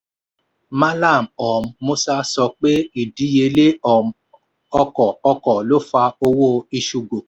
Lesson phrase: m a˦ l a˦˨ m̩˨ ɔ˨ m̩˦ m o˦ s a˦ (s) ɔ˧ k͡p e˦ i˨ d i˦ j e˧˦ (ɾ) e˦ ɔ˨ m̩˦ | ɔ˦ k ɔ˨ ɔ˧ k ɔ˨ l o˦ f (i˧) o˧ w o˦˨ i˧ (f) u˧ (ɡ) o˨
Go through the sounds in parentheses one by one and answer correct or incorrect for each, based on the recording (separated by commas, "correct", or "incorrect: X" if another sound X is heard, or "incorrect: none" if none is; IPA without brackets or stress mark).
correct, incorrect: l, incorrect: a˧, incorrect: ʃ, correct